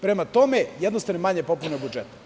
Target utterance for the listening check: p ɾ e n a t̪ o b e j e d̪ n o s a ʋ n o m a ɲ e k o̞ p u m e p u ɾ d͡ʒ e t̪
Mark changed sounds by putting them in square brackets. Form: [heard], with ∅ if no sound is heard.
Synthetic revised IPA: p ɾ e [m] a t̪ o [m] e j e d̪ n o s a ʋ n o m a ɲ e [p] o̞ p u [n] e [b] u [∅] d͡ʒ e t̪